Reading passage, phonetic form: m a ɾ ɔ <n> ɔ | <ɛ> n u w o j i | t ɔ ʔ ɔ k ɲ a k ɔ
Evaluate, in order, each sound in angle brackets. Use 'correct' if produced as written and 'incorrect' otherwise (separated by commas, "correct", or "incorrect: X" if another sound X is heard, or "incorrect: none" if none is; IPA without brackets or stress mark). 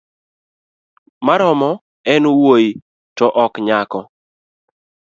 incorrect: m, correct